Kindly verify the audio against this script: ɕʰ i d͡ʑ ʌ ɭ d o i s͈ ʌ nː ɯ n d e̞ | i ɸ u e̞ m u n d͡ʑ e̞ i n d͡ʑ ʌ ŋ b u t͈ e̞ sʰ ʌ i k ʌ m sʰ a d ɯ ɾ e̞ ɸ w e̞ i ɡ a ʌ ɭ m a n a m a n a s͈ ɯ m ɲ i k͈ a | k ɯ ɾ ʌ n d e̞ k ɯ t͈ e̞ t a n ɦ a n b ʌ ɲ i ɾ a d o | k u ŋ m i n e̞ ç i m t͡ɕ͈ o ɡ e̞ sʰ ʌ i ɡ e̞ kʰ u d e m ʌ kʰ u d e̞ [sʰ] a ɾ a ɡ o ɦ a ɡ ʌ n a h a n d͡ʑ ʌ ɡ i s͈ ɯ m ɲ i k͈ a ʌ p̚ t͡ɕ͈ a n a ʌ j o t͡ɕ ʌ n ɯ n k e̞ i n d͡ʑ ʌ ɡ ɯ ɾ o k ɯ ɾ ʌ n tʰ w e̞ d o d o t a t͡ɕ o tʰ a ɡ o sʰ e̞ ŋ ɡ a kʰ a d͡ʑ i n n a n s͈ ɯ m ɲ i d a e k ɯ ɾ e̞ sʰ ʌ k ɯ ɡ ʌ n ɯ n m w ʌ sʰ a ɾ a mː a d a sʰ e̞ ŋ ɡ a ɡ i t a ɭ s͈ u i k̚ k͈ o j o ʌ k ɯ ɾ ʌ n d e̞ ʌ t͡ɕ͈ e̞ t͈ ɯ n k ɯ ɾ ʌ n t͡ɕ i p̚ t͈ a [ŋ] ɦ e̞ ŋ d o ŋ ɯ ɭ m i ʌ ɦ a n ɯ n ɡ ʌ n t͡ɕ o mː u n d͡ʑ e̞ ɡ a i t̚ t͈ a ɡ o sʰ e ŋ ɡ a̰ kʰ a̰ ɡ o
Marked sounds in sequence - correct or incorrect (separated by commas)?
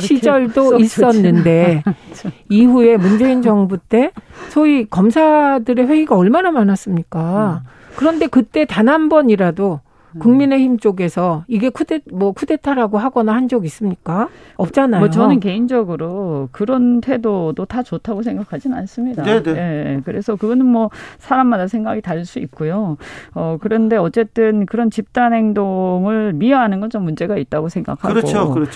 incorrect, incorrect